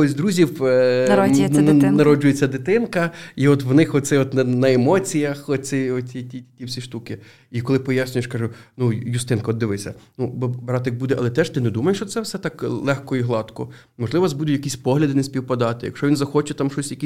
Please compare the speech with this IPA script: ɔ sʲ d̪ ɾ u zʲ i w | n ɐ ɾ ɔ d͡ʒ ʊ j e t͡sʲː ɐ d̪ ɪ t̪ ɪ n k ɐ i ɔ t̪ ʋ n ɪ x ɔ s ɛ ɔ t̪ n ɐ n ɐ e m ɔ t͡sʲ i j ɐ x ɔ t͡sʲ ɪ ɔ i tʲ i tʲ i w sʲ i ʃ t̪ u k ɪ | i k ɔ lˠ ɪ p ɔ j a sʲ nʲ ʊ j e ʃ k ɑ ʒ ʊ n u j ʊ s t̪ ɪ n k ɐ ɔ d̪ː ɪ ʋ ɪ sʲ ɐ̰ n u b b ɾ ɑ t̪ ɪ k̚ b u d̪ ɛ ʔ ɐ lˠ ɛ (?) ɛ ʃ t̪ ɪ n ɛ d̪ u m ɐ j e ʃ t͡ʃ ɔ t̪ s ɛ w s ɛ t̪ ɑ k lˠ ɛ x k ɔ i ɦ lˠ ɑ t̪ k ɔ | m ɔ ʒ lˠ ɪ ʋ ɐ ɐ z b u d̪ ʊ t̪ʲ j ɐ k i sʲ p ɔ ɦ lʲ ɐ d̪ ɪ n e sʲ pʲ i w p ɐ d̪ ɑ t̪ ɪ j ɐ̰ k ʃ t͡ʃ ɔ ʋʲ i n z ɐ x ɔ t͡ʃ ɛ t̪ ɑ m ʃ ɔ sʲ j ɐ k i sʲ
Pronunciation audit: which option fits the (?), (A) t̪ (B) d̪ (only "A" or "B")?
A